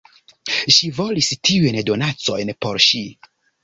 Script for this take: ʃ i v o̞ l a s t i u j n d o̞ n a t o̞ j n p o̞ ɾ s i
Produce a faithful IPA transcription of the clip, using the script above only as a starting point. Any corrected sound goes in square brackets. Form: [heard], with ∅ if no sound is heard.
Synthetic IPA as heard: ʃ i v o̞ l [i] s t i u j n d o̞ n a [t͡s] o̞ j n p o̞ ɾ [ʃ] i